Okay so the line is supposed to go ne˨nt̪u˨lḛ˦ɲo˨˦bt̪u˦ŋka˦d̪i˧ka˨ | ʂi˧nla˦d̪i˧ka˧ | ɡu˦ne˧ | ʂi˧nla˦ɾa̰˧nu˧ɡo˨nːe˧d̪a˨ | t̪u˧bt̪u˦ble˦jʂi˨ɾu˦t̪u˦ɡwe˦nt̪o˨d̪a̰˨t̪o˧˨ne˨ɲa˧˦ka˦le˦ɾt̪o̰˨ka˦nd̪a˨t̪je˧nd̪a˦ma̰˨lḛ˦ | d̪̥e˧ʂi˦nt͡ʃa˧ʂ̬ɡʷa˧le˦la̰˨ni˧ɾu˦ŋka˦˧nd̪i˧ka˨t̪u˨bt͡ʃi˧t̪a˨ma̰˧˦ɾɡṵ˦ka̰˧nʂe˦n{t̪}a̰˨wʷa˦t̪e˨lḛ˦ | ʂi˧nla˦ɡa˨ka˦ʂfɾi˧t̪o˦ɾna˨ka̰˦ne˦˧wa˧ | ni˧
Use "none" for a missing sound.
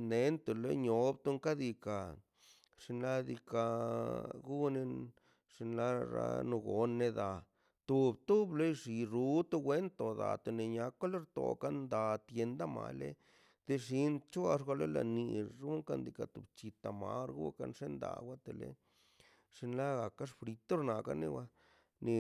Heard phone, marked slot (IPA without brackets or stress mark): d̪